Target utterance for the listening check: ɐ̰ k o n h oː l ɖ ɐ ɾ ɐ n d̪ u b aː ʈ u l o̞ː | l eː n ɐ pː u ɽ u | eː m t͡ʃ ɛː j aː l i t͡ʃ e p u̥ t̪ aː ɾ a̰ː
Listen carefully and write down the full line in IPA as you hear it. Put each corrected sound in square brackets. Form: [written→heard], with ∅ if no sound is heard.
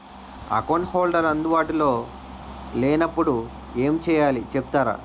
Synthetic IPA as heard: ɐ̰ k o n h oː l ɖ ɐ ɾ ɐ n d̪ u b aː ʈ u l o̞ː | l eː n ɐ pː u ɽ u | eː m t͡ʃ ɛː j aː l i t͡ʃ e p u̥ t̪ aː ɾ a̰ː